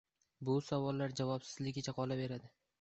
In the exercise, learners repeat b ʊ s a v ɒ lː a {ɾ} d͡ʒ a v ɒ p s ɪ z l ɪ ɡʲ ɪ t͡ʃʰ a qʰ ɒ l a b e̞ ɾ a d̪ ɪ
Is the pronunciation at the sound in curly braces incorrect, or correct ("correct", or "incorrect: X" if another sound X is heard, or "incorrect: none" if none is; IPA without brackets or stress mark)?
correct